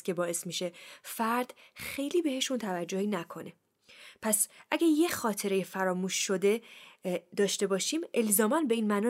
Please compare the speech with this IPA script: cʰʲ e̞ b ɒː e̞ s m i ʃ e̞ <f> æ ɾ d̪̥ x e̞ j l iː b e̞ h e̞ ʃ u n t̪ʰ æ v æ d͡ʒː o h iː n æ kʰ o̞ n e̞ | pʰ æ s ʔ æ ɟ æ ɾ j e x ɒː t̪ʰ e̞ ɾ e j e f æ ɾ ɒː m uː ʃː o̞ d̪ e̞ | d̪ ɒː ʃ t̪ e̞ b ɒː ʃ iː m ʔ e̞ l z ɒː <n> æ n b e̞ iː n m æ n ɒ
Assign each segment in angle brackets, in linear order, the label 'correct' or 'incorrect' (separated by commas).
correct, incorrect